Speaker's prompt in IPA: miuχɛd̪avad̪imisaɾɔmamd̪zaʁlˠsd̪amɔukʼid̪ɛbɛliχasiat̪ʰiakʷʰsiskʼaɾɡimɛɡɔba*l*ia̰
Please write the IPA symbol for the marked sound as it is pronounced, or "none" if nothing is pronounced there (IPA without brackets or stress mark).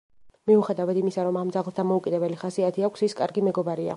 ɾ